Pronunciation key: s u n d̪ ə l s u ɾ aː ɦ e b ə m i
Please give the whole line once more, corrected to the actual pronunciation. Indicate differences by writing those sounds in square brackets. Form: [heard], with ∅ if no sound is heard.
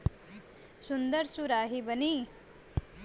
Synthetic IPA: s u n d̪ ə [ɾ] s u ɾ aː ɦ [i] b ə [n] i